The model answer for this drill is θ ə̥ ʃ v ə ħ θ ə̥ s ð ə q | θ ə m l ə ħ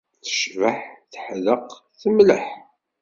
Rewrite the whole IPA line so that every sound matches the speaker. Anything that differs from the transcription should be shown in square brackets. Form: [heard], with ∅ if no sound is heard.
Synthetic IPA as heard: θ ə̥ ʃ v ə ħ θ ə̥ [ħ] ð ə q | θ ə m l ə ħ